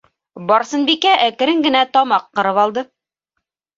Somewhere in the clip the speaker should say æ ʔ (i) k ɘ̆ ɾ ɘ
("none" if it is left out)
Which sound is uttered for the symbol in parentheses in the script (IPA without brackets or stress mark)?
æ